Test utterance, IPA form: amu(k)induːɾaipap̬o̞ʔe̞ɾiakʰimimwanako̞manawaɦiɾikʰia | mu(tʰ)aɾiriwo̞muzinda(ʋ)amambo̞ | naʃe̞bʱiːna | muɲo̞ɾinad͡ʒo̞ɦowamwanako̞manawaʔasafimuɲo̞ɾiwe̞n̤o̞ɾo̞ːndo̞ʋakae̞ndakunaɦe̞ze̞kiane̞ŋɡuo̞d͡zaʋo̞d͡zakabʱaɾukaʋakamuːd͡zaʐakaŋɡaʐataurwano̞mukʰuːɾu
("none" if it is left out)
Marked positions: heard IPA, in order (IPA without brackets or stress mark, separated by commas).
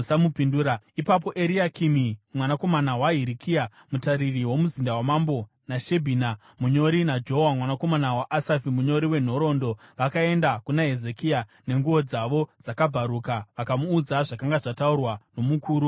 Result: p, t, w